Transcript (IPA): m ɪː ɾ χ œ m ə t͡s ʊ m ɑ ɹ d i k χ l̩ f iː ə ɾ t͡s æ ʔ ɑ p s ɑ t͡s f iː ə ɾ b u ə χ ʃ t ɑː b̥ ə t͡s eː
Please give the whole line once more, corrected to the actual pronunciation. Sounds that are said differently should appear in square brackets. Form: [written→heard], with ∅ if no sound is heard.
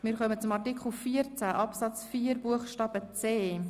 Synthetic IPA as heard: m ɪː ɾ χ œ m ə t͡s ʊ m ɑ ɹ [d→t] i k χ l̩ f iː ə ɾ t͡s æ ʔ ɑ p s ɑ t͡s f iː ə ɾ b u ə χ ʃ t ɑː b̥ ə t͡s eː